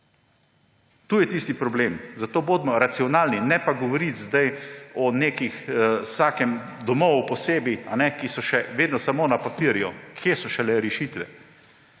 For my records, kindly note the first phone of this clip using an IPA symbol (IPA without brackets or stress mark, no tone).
t̪